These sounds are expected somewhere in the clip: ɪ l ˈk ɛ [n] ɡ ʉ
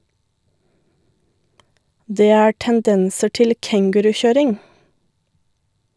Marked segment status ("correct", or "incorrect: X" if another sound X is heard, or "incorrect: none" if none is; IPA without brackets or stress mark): incorrect: ŋ